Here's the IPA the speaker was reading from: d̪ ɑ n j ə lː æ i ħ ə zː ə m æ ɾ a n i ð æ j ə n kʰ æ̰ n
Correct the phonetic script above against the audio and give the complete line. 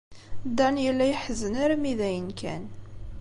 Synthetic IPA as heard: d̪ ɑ n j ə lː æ j ħ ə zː ə n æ ɾ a m i ð æ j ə n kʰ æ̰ n